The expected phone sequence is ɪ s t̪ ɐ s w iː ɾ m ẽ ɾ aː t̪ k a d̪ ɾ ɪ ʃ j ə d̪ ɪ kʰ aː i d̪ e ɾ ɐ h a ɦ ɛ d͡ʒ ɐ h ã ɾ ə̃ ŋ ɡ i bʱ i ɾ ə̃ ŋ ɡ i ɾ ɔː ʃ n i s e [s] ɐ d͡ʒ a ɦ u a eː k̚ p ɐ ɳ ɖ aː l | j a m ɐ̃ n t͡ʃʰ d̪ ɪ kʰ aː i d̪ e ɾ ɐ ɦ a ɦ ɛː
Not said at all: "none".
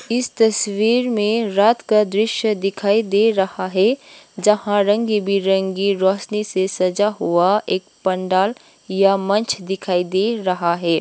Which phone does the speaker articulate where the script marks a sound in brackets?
s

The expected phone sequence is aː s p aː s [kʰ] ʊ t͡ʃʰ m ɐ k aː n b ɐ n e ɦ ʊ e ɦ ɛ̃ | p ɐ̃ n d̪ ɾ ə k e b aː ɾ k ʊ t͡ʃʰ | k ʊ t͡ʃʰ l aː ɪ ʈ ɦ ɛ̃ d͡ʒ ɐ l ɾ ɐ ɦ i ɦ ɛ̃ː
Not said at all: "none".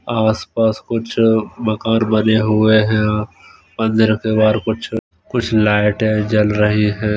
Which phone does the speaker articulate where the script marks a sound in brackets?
k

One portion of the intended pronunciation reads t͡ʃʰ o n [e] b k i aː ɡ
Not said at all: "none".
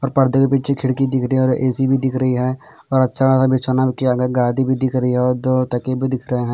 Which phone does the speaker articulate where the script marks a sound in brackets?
a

